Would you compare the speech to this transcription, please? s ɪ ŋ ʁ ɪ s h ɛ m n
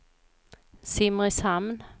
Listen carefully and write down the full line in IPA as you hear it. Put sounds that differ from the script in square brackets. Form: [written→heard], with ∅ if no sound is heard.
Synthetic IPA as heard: s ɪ [ŋ→m] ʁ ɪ s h [ɛ→a] m n